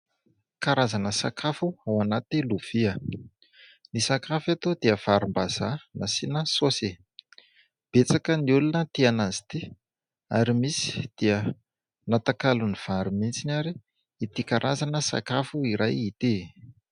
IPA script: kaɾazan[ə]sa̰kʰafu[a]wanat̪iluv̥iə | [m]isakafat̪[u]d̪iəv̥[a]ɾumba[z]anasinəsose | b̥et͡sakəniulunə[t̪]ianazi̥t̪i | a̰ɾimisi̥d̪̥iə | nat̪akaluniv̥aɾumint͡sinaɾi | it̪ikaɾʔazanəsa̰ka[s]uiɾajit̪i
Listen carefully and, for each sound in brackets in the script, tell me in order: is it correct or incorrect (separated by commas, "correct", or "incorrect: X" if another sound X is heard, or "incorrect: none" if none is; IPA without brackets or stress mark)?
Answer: correct, correct, incorrect: n, incorrect: o, correct, correct, correct, incorrect: f